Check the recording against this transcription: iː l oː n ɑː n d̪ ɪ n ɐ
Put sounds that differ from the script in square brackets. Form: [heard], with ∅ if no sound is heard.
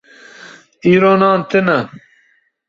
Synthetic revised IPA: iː [ɾ] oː n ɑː n [t̪] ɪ n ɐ